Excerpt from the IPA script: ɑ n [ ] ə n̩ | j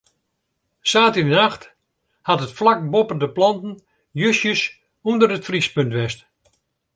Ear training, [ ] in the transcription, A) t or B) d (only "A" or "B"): A